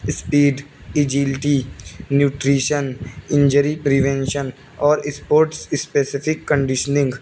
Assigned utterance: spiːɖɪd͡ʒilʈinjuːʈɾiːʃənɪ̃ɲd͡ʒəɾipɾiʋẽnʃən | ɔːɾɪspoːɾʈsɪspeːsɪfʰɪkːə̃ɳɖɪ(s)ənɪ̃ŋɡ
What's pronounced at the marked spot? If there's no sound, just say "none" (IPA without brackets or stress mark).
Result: ʃ